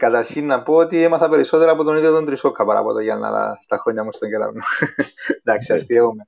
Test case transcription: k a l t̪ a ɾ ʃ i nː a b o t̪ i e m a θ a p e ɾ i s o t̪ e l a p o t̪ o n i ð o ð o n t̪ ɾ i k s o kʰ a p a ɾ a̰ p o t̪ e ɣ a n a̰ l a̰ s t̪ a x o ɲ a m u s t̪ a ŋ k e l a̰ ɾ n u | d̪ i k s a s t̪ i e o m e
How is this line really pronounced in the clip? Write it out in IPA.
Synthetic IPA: k a t̪ a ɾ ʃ i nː a p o t̪ i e m a θ a p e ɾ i s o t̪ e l a p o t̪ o n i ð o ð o n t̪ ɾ i s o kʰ a p a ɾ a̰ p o t̪ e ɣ a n a̰ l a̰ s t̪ a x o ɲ a m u s t̪ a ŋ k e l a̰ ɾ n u | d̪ a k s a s t̪ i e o m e